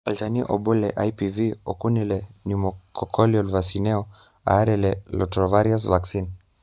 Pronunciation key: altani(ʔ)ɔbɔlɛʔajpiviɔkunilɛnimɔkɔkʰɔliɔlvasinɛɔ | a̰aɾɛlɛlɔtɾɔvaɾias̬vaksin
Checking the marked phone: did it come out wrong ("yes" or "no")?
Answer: no